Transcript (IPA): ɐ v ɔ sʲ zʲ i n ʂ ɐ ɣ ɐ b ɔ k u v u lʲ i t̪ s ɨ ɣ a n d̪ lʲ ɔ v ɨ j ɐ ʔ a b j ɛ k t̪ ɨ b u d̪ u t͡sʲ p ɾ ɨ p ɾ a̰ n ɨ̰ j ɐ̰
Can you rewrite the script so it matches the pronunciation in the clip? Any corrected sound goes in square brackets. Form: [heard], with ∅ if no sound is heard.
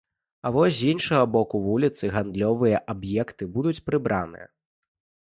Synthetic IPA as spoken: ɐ v ɔ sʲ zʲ i n ʂ ɐ ɣ ɐ b ɔ k u v u lʲ i t̪ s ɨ ɣ a n d̪ lʲ ɔ v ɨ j ɐ ʔ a b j ɛ k t̪ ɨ b u d̪ u t͡sʲ p ɾ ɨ [b] ɾ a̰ n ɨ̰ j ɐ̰